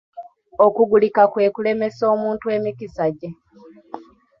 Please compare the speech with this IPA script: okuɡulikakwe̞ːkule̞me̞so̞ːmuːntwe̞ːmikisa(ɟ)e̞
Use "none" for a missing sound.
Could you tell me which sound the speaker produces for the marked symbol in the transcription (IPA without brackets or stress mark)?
ɟ